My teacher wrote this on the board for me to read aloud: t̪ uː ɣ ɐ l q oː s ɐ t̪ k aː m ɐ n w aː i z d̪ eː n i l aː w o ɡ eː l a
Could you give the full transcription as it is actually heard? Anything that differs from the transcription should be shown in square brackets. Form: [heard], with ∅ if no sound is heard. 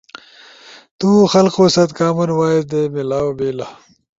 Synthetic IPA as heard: t̪ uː [x] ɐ l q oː s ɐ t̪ k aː m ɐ n w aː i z d̪ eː [m] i l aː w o [b] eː l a